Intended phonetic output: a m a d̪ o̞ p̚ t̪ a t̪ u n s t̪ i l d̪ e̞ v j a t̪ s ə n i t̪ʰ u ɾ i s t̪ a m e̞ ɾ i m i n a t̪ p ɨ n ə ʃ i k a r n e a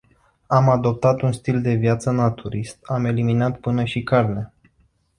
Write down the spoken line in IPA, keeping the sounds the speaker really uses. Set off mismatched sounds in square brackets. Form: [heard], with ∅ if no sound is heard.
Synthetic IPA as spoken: a m a d̪ o̞ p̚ t̪ a t̪ u n s t̪ i l d̪ e̞ v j a t̪ s ə n [a] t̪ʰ u ɾ i s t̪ a m e̞ [l] i m i n a t̪ p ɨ n ə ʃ i k a r n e a